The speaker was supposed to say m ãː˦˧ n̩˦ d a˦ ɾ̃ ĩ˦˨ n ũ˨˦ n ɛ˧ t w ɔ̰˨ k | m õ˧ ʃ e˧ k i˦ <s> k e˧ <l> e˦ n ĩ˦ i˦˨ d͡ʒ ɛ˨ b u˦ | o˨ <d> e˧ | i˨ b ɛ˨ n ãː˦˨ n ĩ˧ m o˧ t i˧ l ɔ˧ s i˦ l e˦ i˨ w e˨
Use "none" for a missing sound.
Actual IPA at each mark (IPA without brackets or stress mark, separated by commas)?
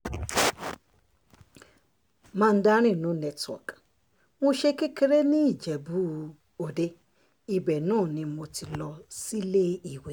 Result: none, ɾ, d